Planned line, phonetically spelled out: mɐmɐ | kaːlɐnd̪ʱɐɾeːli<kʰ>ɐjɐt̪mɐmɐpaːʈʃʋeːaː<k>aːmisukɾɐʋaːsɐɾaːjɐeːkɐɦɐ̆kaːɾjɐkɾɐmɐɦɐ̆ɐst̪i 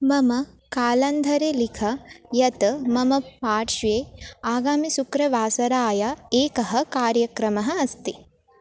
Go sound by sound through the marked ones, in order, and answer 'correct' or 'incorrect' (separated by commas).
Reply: correct, incorrect